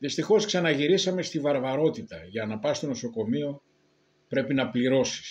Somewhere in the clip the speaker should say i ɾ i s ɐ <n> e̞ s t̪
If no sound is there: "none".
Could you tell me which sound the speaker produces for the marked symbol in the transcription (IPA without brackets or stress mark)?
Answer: m